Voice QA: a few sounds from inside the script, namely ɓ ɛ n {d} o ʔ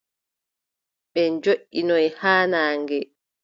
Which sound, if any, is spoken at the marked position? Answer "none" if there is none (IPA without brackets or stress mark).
d͡ʒ